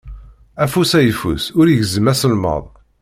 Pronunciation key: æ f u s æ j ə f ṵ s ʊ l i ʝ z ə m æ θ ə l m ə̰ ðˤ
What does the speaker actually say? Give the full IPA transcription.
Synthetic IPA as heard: æ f u s æ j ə f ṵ s ʊ ɾ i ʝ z ə m æ s ə l m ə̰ ðˤ

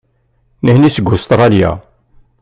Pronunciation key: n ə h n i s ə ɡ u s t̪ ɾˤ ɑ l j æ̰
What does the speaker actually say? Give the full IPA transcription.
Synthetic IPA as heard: n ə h n i s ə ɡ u s t̪ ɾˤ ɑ l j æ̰

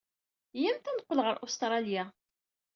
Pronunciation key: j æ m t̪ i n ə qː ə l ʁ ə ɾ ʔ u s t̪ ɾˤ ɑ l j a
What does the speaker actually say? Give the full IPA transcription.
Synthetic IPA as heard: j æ m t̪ æ n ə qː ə l ʁ ə ɾ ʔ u s t̪ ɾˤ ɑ l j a

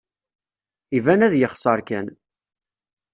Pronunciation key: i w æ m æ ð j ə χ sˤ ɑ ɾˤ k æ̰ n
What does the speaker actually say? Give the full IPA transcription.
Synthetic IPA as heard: i v æ n æ ð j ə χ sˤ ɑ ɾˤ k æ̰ n

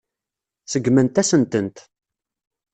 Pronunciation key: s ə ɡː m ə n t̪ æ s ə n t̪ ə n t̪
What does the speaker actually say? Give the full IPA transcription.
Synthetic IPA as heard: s ə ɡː m ə n t̪ æ s ə n t̪ ə n t̪

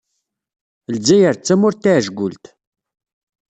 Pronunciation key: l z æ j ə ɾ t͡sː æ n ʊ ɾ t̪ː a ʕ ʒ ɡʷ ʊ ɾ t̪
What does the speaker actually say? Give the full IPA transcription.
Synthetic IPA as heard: l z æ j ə ɾ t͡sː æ m ʊ ɾ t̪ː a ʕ ʒ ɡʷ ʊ l t̪

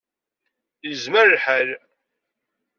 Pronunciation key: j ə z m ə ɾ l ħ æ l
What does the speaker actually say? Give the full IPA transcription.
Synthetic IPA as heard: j ə z m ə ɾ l ħ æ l

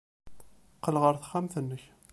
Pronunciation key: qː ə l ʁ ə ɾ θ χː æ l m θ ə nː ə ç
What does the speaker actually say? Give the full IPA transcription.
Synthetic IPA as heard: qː ə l ʁ ə ɾ θ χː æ m θ ə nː ə ç

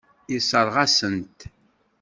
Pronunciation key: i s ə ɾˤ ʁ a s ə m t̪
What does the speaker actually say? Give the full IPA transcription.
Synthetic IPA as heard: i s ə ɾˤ ʁ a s ə n t̪

